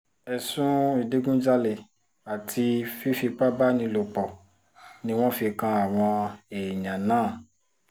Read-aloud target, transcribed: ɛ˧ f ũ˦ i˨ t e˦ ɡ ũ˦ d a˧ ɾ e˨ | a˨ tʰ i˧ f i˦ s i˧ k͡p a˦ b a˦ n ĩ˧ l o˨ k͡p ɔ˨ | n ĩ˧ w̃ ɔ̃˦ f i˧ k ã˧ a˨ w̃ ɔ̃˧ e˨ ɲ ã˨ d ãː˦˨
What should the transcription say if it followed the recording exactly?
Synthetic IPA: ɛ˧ s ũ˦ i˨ d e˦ ɡ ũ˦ d͡ʒ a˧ l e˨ | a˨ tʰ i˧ f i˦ f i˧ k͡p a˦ b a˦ n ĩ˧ l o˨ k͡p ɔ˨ | n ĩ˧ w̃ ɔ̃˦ f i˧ k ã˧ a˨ w̃ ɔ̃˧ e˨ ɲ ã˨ n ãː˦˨